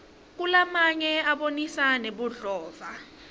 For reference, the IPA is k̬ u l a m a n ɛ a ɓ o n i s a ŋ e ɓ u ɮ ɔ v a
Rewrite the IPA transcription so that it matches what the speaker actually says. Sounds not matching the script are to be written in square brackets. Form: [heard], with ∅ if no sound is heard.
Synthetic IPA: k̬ u l a m a [ɲ] ɛ a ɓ o n i s a [n] e ɓ u ɮ [ɔː] v a